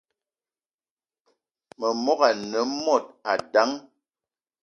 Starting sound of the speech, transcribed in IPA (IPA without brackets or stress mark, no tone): m